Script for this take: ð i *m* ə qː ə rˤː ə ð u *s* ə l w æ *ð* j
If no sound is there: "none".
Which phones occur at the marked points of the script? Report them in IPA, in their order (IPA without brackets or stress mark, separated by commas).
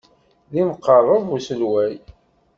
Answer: m, s, none